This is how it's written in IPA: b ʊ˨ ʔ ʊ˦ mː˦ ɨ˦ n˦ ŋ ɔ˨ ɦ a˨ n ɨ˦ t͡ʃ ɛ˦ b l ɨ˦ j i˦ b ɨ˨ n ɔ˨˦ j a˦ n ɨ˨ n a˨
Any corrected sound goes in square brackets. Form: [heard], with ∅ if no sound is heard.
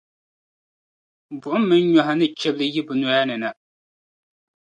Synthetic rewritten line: b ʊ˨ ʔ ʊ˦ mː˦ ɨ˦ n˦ [ɲ] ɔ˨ ɦ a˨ n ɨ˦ t͡ʃ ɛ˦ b l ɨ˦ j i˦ b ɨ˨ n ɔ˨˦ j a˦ n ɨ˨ n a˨